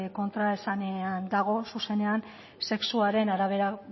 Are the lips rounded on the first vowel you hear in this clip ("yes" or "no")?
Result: yes